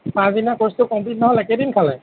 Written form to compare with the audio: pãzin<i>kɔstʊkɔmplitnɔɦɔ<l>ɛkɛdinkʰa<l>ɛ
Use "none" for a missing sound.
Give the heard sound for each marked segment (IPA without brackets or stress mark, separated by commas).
a, l, l